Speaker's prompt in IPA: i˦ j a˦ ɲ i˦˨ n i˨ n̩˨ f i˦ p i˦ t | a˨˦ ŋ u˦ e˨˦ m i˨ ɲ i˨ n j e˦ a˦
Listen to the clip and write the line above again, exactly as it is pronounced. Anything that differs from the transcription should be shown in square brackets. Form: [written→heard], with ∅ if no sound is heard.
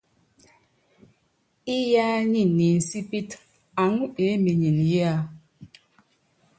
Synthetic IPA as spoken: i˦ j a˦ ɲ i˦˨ n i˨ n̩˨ [f→s] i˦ p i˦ t | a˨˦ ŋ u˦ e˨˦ m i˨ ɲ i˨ n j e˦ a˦